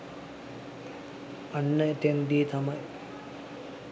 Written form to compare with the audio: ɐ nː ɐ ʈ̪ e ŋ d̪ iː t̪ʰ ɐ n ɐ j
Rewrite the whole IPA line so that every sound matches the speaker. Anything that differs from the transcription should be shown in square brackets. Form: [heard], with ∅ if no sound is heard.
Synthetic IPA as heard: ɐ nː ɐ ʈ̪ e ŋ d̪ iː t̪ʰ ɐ [m] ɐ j